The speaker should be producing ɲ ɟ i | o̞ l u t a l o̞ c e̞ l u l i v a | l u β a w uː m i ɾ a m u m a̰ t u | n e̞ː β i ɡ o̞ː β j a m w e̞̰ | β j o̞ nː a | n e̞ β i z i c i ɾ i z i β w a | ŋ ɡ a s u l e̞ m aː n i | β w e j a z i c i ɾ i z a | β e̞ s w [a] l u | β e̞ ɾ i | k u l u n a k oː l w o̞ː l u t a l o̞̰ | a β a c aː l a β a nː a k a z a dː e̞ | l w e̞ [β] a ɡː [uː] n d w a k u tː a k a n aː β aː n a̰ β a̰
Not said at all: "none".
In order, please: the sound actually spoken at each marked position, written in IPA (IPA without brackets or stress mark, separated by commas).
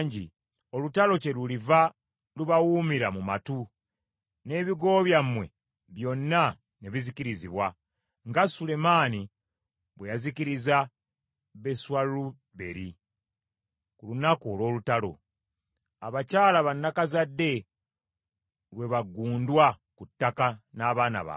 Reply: a, β, uː